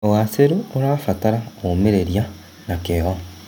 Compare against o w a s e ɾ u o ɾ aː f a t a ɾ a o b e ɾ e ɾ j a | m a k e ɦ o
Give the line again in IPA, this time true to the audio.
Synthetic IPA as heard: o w a s e ɾ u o ɾ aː f a t a ɾ a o m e ɾ e ɾ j a | n a k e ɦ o